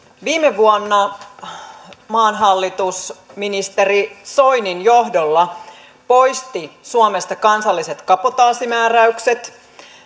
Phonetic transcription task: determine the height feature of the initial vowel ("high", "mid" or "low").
high